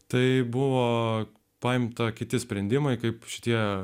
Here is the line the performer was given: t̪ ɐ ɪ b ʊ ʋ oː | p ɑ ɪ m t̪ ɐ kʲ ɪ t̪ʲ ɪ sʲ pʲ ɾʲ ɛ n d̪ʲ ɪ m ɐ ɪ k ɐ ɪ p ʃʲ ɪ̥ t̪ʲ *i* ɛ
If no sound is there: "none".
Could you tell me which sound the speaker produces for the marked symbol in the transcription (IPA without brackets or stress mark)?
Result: i